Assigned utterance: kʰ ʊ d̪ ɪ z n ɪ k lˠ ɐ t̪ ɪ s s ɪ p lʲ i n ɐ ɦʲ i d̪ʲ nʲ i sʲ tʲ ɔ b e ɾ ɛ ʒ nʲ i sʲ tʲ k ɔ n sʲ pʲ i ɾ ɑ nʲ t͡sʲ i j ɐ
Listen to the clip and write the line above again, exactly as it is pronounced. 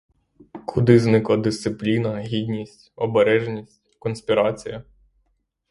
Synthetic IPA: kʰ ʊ d̪ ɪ z n ɪ k lˠ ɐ d̪ ɪ s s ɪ p lʲ i n ɐ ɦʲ i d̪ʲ nʲ i sʲ tʲ ɔ b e ɾ ɛ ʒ nʲ i sʲ tʲ k ɔ n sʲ pʲ i ɾ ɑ t͡sʲ i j ɐ